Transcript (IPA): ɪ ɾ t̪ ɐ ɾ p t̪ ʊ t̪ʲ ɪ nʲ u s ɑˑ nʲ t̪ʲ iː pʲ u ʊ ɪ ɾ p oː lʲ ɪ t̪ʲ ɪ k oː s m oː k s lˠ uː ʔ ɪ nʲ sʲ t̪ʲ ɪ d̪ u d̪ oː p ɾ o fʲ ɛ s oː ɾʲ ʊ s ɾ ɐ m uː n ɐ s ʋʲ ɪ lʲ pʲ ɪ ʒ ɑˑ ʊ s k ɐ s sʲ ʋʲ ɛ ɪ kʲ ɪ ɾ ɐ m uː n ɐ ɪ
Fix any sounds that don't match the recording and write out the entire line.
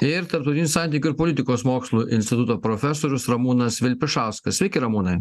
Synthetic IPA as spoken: ɪ ɾ t̪ ɐ ɾ p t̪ ʊ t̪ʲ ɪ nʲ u s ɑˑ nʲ t̪ʲ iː kʲ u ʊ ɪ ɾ p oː lʲ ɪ t̪ʲ ɪ k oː s m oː k s lˠ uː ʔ ɪ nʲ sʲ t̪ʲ ɪ t̪ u t̪ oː p ɾ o fʲ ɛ s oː ɾʲ ʊ s ɾ ɐ m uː n ɐ s ʋʲ ɪ lʲ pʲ ɪ ʃ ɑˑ ʊ s k ɐ s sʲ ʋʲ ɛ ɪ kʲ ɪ ɾ ɐ m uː n ɐ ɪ